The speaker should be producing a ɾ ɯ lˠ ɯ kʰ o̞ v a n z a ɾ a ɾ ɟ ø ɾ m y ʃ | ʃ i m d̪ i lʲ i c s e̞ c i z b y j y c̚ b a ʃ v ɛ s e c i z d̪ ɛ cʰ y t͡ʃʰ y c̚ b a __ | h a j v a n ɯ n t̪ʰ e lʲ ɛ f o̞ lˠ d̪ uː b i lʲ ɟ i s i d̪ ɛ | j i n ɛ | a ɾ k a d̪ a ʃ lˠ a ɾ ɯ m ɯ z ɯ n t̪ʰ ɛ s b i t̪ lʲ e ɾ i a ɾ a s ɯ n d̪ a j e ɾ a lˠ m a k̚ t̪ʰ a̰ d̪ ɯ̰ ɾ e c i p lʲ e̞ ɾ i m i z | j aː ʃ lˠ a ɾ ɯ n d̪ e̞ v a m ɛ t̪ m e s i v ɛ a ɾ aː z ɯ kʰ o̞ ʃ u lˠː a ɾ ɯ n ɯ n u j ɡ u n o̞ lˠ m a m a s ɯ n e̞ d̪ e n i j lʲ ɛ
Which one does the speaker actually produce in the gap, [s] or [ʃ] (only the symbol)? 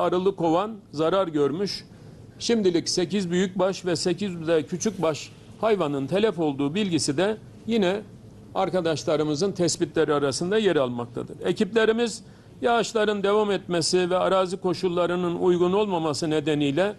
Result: ʃ